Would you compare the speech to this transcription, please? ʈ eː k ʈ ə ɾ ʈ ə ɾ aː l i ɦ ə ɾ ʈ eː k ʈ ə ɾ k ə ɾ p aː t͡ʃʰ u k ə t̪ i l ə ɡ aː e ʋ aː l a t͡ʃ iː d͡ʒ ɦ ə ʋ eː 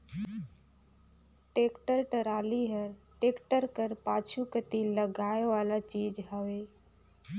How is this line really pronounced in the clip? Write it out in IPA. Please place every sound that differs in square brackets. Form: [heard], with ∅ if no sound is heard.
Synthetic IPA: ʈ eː k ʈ ə ɾ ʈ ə ɾ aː l i ɦ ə ɾ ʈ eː k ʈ ə ɾ k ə ɾ p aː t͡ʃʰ u k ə t̪ i l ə ɡ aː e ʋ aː l a t͡ʃ iː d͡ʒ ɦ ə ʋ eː